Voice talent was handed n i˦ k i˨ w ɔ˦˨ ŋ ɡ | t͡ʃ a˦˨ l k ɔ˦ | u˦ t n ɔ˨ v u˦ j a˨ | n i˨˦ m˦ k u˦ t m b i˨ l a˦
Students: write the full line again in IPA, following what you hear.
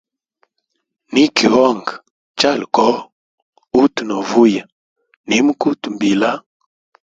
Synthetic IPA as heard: n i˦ k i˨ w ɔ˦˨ ŋ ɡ | t͡ʃ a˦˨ l k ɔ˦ | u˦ t n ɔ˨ v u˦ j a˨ | n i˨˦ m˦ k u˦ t m b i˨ l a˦